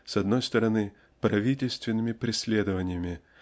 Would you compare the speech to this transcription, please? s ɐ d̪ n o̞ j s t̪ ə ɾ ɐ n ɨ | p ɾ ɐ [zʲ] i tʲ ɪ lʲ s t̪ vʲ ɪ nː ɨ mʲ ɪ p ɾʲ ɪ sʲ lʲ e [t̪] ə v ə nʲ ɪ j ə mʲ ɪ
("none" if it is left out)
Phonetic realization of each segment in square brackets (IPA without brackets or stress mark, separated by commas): vʲ, d̪